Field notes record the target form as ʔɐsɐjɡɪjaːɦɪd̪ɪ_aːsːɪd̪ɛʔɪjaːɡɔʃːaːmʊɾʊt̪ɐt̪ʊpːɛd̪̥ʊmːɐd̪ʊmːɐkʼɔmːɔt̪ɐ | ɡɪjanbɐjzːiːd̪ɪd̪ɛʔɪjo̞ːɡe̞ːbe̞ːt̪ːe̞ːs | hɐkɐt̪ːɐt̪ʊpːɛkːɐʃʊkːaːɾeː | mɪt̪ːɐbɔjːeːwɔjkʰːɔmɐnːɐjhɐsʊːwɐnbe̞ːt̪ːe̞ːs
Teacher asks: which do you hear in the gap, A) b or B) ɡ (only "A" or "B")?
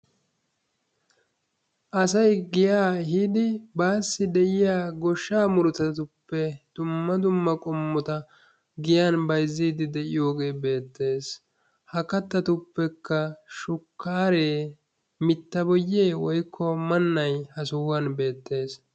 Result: A